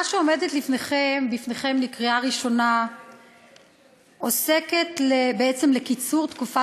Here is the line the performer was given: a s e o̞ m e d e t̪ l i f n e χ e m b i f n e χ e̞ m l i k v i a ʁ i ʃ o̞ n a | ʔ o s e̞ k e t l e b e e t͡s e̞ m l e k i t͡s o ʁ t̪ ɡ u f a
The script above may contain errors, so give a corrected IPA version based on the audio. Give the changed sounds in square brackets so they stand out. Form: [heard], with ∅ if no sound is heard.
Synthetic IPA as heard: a [ʃ] e o̞ m e d e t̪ l i f n e χ e m b i f n e χ e̞ m l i k [ʁ] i a ʁ i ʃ o̞ n a | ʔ o s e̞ k e t l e b e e t͡s e̞ m l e k i t͡s [u] ʁ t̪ [k] u f a